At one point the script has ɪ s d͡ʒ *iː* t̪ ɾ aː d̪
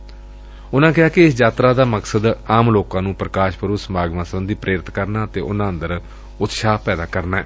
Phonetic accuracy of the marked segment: incorrect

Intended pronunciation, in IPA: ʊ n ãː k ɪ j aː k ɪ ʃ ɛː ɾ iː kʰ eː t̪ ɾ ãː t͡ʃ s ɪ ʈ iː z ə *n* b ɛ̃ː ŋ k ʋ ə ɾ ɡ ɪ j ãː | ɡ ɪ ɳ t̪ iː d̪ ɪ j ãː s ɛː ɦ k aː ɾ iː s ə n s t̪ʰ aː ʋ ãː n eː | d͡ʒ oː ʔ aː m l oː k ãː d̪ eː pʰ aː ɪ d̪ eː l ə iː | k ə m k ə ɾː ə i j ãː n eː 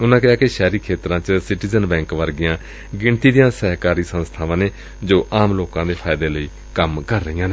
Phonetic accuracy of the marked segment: correct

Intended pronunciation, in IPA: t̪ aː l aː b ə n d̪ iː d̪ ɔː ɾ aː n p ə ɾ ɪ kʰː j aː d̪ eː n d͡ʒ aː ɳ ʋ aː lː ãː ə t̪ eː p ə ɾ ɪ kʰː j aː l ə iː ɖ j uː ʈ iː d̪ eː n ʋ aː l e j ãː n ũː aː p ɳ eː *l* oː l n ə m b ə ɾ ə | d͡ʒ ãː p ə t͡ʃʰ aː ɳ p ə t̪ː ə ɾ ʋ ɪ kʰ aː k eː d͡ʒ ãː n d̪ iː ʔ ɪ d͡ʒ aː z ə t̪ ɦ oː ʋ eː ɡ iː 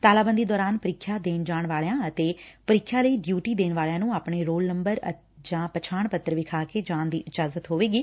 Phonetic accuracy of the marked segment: incorrect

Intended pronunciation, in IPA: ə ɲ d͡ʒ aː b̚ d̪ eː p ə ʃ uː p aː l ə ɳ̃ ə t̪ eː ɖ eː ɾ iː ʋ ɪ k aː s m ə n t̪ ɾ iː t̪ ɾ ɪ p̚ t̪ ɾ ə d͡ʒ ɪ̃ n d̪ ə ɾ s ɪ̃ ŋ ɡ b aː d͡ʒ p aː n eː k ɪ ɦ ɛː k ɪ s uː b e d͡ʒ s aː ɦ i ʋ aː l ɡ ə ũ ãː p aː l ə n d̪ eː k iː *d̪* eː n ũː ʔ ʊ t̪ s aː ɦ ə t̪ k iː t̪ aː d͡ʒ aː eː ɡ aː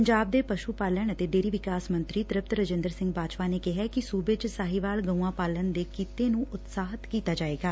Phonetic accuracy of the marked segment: incorrect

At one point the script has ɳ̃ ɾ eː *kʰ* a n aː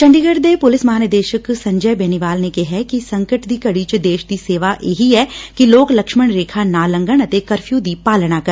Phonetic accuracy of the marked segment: correct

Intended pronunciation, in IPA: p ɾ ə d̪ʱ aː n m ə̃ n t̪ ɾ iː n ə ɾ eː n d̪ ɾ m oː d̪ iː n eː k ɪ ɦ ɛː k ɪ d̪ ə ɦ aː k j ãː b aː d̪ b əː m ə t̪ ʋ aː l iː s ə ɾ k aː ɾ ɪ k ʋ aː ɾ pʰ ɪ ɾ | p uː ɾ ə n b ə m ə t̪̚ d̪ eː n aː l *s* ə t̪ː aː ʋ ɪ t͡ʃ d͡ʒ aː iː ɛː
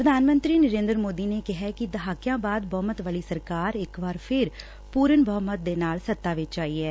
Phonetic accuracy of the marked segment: correct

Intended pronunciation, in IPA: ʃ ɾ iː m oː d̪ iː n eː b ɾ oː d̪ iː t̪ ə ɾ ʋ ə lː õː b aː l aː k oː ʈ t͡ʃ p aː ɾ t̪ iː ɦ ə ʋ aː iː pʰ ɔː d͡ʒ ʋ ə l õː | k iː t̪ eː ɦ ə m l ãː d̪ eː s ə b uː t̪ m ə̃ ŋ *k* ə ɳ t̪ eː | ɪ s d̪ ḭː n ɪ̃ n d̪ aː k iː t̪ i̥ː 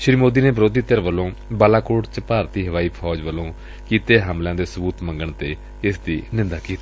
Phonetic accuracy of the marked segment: incorrect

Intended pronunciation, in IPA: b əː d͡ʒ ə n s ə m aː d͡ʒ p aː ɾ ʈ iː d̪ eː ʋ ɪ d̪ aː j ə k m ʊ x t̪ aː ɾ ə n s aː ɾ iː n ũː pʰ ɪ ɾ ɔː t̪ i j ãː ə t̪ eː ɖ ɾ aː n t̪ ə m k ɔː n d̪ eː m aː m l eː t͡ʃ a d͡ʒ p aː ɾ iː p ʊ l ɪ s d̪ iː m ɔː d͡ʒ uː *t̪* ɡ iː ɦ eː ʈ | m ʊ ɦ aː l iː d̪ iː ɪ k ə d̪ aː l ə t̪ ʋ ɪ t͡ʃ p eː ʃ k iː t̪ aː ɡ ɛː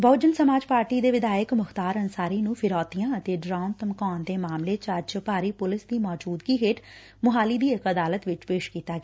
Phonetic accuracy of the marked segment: incorrect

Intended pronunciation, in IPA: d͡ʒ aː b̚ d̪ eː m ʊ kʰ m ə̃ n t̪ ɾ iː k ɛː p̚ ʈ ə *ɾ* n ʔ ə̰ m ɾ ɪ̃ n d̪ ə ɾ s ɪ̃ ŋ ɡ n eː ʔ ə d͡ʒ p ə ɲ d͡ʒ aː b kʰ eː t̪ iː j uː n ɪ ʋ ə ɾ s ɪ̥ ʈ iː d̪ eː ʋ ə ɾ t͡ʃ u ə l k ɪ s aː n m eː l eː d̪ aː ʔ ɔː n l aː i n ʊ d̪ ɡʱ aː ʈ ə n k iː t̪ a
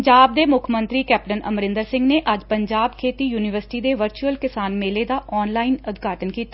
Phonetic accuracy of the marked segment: incorrect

